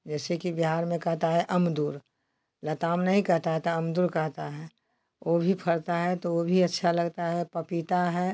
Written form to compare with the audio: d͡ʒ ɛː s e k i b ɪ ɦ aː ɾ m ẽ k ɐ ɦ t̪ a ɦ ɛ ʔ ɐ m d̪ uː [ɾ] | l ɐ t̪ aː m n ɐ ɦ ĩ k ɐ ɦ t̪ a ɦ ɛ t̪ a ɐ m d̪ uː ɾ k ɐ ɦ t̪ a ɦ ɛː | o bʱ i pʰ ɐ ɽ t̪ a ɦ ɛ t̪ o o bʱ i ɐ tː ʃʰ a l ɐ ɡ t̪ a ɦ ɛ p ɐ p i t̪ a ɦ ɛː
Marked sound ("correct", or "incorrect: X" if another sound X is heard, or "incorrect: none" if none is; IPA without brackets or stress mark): correct